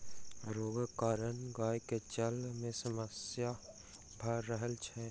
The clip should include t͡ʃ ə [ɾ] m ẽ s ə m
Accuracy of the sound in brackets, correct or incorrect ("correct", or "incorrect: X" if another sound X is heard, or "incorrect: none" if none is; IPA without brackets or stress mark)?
incorrect: l